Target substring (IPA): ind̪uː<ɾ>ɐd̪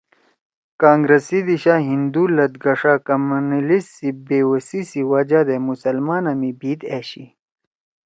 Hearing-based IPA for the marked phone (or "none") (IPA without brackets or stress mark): l